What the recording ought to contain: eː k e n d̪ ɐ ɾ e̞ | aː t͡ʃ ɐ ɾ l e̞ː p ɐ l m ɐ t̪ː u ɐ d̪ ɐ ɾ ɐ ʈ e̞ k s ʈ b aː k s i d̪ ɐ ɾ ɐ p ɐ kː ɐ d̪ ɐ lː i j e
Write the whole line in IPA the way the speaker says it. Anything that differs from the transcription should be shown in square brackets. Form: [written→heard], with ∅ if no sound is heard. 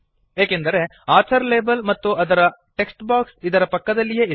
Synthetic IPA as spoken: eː k e n d̪ ɐ ɾ e̞ | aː t͡ʃ ɐ ɾ l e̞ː [p→b] ɐ l m ɐ t̪ː u ɐ d̪ ɐ ɾ ɐ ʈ e̞ k s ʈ b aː k s i d̪ ɐ ɾ ɐ p ɐ kː ɐ d̪ ɐ lː i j e

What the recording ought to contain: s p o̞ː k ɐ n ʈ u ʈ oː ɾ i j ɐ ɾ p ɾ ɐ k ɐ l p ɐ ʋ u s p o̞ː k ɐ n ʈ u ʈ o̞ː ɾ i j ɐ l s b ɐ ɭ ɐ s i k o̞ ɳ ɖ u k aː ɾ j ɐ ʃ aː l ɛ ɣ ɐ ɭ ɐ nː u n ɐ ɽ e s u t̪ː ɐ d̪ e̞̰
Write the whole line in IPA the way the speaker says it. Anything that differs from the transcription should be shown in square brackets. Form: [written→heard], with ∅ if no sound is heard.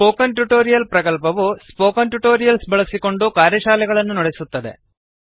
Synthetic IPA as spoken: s p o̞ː k ɐ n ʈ u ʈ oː ɾ i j ɐ [ɾ→l] p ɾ ɐ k ɐ l p ɐ ʋ u s p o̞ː k ɐ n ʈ u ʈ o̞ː ɾ i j ɐ l s b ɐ ɭ ɐ s i k o̞ ɳ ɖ u k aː ɾ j ɐ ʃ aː l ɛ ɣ ɐ ɭ ɐ nː u n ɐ ɽ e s u t̪ː ɐ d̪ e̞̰

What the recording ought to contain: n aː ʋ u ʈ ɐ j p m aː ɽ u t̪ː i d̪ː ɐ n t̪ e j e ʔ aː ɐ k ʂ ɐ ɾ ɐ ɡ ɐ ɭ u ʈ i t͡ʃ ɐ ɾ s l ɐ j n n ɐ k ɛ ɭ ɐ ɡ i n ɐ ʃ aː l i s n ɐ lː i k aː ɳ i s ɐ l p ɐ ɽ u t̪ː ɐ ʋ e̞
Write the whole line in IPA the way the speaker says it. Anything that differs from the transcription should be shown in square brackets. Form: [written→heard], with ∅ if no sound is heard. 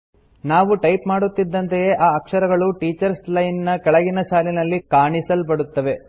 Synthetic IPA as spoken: n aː ʋ u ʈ ɐ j p m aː ɽ u t̪ː i d̪ː ɐ n t̪ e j e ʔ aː ɐ k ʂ ɐ ɾ ɐ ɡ ɐ ɭ u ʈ [i→iː] t͡ʃ ɐ ɾ s l ɐ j n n ɐ k ɛ ɭ ɐ ɡ i n ɐ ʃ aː l i [s→∅] n ɐ lː i k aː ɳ i s ɐ l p ɐ ɽ u t̪ː ɐ ʋ e̞

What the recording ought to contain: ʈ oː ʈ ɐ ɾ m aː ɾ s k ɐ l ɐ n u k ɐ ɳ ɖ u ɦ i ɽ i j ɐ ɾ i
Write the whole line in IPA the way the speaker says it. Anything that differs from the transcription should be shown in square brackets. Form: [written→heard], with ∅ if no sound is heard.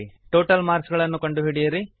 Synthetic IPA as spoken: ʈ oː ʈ ɐ [ɾ→l] m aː ɾ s [k→ɡ] ɐ [l→ɭ] ɐ [n→nː] u k ɐ ɳ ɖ u ɦ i ɽ i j ɐ ɾ i

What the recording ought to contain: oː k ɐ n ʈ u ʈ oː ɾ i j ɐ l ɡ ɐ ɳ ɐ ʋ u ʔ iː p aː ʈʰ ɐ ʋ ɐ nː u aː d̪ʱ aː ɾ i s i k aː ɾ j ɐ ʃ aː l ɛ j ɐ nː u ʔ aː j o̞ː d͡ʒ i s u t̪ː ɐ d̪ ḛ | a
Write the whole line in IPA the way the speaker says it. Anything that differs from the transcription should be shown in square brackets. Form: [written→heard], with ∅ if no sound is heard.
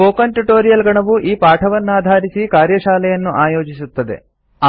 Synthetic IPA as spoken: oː k ɐ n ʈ u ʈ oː ɾ i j ɐ l ɡ ɐ ɳ ɐ ʋ u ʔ iː p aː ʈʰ ɐ ʋ ɐ nː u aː d̪ʱ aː ɾ i s i k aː ɾ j ɐ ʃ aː l ɛ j ɐ nː u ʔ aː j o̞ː d͡ʒ i s u t̪ː ɐ d̪ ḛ | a

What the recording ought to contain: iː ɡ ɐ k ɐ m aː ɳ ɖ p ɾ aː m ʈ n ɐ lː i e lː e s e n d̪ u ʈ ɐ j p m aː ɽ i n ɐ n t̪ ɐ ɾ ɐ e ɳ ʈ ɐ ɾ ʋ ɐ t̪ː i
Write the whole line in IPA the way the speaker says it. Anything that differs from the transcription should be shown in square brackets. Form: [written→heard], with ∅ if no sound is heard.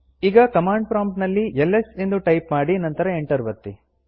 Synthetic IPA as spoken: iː ɡ ɐ k ɐ m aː ɳ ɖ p ɾ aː m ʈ n ɐ lː i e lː e s e n d̪ u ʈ ɐ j p m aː ɽ i n ɐ n t̪ ɐ ɾ ɐ e ɳ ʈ ɐ ɾ ʋ ɐ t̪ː i

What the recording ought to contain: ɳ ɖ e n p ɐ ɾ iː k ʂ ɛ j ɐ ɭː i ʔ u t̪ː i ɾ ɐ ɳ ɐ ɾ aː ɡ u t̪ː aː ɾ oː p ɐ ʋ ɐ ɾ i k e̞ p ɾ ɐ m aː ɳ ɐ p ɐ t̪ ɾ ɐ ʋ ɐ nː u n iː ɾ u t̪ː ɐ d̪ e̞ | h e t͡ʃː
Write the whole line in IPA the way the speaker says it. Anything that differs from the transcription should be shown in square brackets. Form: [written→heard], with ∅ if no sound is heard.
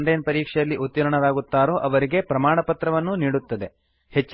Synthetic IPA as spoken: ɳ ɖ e n p ɐ ɾ iː k ʂ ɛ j ɐ [ɭː→lː] i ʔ u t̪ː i ɾ ɐ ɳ ɐ ɾ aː ɡ u t̪ː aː ɾ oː [p→ʔ] ɐ ʋ ɐ ɾ i [k→ɡ] e̞ p ɾ ɐ m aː ɳ ɐ p ɐ t̪ ɾ ɐ ʋ ɐ nː u n iː [ɾ→ɽ] u t̪ː ɐ d̪ e̞ | h e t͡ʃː

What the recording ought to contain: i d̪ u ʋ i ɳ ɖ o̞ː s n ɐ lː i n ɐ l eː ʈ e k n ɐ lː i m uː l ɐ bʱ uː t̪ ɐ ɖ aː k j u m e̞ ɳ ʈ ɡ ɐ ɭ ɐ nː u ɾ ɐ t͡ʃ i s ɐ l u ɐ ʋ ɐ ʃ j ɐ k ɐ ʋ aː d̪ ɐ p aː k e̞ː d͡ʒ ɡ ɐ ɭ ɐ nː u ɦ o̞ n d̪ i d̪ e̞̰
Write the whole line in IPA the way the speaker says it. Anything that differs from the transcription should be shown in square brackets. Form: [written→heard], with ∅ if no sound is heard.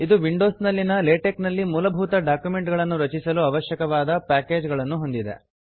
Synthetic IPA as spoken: i d̪ u ʋ i ɳ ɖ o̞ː s n ɐ lː i n ɐ l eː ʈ e k n ɐ lː i m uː l ɐ bʱ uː t̪ ɐ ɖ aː k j u m e̞ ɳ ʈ ɡ ɐ ɭ ɐ nː u ɾ ɐ t͡ʃ i s ɐ l u ɐ ʋ ɐ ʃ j ɐ k ɐ ʋ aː d̪ ɐ p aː k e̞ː d͡ʒ ɡ ɐ ɭ ɐ nː u ɦ o̞ n d̪ i d̪ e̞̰

